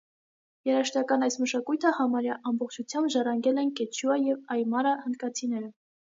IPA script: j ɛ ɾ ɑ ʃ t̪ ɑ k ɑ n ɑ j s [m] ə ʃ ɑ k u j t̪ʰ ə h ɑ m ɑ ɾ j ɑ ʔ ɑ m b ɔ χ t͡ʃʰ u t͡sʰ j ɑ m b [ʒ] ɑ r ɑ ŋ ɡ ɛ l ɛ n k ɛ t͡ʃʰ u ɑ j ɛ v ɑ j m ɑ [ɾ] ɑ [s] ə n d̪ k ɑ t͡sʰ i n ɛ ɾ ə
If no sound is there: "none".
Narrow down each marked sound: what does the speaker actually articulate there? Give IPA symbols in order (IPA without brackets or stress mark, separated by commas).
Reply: m, ʒ, ɾ, h